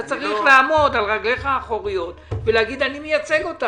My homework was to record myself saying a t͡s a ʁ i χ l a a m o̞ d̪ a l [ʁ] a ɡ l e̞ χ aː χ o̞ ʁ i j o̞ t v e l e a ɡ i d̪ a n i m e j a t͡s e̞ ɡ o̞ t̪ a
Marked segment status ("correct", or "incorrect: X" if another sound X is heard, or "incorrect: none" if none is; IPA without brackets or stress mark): correct